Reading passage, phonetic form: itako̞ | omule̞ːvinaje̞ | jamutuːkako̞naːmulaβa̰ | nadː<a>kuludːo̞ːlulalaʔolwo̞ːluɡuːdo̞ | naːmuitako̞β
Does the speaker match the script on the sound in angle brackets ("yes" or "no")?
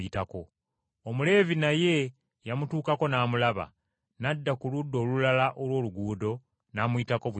yes